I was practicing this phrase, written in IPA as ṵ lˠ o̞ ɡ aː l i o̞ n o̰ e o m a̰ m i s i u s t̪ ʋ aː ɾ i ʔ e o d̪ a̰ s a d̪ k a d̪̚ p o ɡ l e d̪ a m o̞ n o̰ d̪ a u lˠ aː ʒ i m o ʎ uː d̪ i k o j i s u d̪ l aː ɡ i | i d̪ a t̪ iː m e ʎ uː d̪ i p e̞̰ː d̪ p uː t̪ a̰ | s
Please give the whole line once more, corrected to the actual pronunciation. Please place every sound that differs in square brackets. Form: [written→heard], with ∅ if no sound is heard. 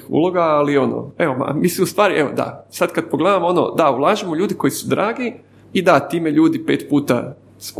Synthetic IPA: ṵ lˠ o̞ ɡ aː l i o̞ n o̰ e o m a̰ m i s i u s t̪ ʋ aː ɾ i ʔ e o d̪ a̰ s a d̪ k a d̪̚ p o ɡ l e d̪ a m o̞ n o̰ d̪ a u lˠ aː ʒ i m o ʎ uː d̪ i k o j i s u d̪ [l→ɾ] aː ɡ i | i d̪ a t̪ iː m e ʎ uː d̪ i p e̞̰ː [d̪→t̪] p uː t̪ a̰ | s